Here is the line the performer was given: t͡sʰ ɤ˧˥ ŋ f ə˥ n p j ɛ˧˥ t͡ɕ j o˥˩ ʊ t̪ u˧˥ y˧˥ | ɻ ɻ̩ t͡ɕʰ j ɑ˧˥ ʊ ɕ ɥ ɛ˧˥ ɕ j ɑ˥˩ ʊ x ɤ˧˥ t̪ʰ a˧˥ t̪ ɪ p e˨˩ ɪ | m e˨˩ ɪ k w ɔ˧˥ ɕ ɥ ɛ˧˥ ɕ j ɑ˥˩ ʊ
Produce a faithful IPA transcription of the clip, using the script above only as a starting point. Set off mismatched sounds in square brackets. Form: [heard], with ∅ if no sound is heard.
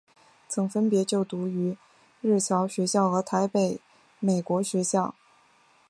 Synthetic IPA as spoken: t͡sʰ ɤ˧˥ ŋ f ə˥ n p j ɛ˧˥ t͡ɕ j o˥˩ ʊ t̪ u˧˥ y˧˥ | ɻ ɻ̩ t͡ɕʰ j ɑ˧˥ ʊ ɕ ɥ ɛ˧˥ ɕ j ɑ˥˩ ʊ x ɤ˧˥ t̪ʰ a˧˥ [∅] ɪ p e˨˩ ɪ | m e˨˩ ɪ k w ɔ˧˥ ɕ ɥ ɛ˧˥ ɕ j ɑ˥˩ ʊ